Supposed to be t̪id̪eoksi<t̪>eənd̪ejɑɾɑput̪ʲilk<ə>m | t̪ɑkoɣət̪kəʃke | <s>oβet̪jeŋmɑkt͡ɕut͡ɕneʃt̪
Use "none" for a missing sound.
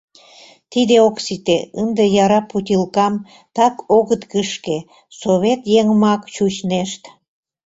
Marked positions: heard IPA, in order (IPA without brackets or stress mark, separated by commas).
t̪, ɑ, s